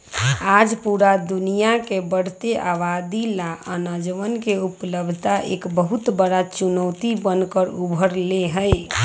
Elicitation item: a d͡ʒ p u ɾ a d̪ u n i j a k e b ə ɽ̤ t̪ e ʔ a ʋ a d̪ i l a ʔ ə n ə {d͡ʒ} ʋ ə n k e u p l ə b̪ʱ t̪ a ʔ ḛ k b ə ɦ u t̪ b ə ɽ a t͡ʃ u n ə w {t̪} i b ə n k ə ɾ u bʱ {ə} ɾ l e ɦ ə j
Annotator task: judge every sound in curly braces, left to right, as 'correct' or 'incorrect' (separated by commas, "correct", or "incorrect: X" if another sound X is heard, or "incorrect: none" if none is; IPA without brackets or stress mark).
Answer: correct, correct, correct